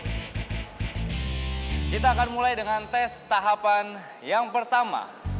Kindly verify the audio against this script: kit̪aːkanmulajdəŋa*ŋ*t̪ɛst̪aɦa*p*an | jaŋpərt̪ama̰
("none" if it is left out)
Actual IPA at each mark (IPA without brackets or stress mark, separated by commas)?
n, p